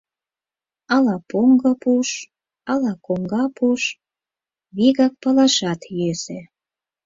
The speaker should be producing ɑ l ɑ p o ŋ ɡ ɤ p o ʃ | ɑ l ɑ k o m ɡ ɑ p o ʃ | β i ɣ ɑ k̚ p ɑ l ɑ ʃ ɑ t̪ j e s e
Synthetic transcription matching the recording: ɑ l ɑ p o ŋ ɡ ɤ p u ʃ | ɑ l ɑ k o ŋ ɡ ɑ p u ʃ | β i ɣ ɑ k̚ p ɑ l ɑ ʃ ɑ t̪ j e s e